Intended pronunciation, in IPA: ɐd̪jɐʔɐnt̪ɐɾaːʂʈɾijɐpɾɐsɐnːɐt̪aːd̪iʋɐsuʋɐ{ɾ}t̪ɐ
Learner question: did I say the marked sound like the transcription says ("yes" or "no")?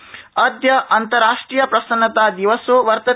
yes